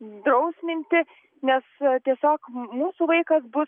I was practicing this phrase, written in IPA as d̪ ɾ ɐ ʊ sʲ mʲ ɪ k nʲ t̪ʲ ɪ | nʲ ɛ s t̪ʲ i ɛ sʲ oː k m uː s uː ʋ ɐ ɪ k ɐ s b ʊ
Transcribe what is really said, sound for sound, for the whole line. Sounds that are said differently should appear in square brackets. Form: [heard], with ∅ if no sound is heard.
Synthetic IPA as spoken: d̪ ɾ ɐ ʊ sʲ mʲ ɪ [∅] nʲ t̪ʲ ɪ | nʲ ɛ s t̪ʲ i ɛ sʲ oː k m uː s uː ʋ ɐ ɪ k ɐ s b ʊ

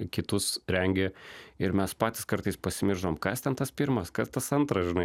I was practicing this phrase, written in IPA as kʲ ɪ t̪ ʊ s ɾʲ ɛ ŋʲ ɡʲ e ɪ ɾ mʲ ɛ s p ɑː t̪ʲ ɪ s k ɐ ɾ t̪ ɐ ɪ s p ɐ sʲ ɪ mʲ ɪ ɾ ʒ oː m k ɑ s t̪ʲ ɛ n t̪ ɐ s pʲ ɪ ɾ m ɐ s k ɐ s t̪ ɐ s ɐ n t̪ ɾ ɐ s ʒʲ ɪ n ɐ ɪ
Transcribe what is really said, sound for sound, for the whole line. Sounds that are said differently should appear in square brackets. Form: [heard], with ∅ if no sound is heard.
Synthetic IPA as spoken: kʲ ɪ t̪ ʊ s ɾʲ ɛ ŋʲ ɡʲ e ɪ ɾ mʲ ɛ s p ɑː t̪ʲ ɪ s k ɐ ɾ t̪ ɐ ɪ s p ɐ sʲ ɪ mʲ ɪ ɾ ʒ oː m k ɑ s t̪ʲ ɛ n t̪ ɐ s pʲ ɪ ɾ m ɐ s k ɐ s t̪ ɐ s ɐ n t̪ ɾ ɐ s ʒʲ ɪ n ɐ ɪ

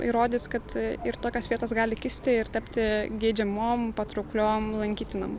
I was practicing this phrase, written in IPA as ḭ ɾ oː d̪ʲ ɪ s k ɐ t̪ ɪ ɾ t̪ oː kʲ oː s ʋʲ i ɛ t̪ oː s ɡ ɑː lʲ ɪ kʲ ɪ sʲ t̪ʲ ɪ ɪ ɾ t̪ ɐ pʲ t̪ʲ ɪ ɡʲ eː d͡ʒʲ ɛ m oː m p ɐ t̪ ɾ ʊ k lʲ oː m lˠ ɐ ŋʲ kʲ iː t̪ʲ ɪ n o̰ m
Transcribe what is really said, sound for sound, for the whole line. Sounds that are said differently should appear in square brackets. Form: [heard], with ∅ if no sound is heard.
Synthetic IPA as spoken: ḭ ɾ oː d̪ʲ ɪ s k ɐ t̪ ɪ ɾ t̪ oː kʲ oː s ʋʲ i ɛ t̪ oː s ɡ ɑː lʲ ɪ kʲ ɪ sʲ t̪ʲ ɪ ɪ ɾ t̪ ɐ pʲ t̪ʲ ɪ ɡʲ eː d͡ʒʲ ɛ m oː m p ɐ t̪ ɾ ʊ k lʲ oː m lˠ ɐ ŋʲ kʲ iː t̪ʲ ɪ n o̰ m

